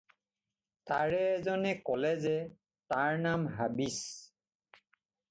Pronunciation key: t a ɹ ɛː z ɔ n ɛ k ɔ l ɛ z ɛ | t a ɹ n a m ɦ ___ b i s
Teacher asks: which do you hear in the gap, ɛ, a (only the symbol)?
a